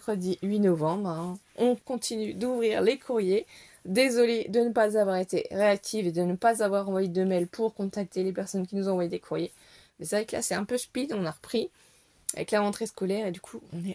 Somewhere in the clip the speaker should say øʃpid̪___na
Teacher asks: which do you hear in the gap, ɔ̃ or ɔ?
ɔ̃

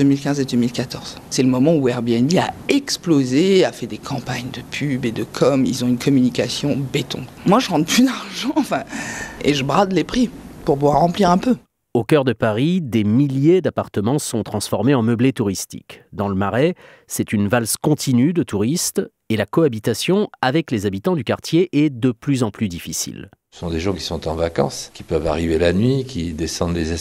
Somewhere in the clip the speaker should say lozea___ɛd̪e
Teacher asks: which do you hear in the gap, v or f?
f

